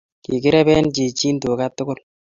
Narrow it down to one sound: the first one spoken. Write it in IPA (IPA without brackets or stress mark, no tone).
k